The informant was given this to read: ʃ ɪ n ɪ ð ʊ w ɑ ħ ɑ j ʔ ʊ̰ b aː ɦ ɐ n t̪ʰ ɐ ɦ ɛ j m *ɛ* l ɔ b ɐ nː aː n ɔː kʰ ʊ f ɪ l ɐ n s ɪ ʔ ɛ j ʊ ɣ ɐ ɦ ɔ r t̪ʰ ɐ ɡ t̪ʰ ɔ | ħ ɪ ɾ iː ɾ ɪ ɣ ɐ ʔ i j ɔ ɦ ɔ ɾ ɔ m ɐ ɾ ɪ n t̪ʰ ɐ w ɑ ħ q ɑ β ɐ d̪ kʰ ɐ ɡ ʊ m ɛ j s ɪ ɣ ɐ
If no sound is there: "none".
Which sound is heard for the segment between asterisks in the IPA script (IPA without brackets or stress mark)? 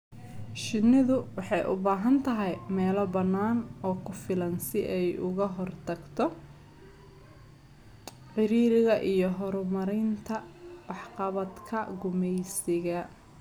ɛː